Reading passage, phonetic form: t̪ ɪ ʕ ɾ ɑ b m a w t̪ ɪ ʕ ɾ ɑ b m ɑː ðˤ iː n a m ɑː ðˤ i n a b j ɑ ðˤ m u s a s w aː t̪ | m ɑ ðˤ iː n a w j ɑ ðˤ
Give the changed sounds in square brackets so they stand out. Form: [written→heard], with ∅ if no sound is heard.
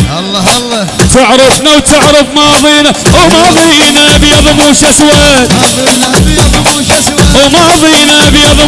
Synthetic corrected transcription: t̪ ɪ ʕ ɾ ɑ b [m→n] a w t̪ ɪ ʕ ɾ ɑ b m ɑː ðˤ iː n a m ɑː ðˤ i n a b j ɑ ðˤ m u [s→ʃ] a s w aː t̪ | m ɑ ðˤ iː n a [w→b] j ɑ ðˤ